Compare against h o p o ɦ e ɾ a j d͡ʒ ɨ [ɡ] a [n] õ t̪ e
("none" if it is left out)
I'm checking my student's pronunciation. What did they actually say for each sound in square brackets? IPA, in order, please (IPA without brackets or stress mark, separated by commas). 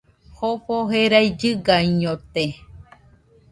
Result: ɡ, ɲ